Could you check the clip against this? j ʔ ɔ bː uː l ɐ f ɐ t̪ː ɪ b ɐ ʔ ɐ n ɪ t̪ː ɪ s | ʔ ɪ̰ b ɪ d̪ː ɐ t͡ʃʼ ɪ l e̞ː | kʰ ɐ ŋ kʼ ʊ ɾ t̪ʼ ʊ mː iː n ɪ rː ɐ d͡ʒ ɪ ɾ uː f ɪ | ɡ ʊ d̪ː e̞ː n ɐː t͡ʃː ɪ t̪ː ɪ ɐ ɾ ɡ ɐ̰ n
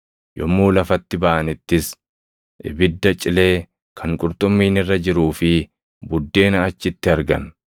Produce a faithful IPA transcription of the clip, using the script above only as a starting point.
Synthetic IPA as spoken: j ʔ ɔ mː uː l ɐ f ɐ t̪ː ɪ b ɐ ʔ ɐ n ɪ t̪ː ɪ s | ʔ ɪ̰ b ɪ d̪ː ɐ t͡ʃʼ ɪ l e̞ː | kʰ ɐ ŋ kʼ ʊ ɾ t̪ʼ ʊ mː iː n ɪ rː ɐ d͡ʒ ɪ ɾ uː f ɪ | b ʊ d̪ː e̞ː n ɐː t͡ʃː ɪ t̪ː ɪ ɐ ɾ ɡ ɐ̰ n